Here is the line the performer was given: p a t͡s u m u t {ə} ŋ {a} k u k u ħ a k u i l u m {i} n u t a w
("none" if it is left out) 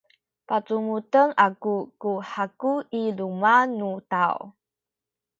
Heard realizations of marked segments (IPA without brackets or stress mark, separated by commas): ə, a, a